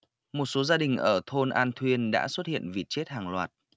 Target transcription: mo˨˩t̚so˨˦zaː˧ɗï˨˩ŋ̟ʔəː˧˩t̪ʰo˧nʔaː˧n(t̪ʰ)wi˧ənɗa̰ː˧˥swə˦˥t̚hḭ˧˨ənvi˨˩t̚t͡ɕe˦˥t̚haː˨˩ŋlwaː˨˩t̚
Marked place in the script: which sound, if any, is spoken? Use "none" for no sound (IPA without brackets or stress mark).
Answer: t̪ʰ